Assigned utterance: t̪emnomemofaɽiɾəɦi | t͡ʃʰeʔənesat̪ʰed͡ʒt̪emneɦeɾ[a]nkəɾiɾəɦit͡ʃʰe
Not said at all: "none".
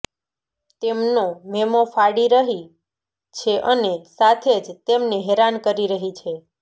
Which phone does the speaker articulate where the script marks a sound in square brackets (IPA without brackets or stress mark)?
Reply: a